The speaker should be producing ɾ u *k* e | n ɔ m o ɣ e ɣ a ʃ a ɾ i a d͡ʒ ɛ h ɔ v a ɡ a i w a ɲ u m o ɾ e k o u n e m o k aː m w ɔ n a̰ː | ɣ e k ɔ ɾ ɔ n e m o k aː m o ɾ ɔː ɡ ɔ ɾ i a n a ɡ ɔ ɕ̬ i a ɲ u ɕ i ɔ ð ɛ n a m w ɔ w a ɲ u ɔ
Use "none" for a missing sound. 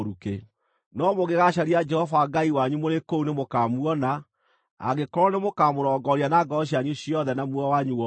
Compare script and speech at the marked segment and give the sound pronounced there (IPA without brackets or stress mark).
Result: k